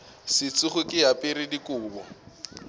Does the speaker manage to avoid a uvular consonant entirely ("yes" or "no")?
no